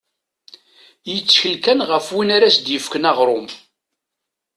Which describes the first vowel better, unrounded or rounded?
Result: unrounded